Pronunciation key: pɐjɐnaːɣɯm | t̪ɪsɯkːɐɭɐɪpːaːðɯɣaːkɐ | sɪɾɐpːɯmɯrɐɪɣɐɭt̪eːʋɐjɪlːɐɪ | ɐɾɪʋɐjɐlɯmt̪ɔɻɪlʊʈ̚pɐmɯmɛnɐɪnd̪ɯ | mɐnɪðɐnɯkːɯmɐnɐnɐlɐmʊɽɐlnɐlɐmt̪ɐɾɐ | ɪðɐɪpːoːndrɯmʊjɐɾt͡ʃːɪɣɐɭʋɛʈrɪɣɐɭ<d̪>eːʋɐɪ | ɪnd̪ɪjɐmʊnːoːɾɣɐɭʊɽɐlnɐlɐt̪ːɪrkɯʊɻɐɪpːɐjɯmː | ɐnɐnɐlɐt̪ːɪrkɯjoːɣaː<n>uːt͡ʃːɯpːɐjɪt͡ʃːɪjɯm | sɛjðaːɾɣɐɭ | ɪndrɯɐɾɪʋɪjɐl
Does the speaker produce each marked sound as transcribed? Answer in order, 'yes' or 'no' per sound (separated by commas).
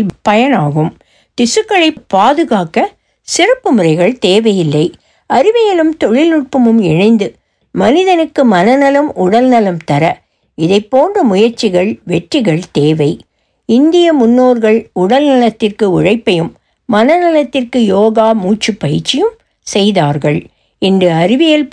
no, no